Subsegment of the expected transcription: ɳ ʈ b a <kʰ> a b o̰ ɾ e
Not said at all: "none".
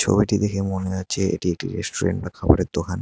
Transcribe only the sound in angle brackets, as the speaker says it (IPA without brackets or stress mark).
kʰ